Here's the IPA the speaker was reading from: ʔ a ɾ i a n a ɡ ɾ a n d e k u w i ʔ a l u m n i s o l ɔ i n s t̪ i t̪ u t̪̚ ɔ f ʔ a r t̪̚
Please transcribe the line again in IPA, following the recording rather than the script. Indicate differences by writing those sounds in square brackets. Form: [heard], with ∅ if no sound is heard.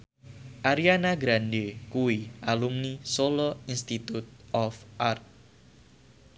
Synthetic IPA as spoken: ʔ a ɾ i a n a ɡ ɾ a n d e k u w i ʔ a l u m n i s o l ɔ i n s t̪ i t̪ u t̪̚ ɔ f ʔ a r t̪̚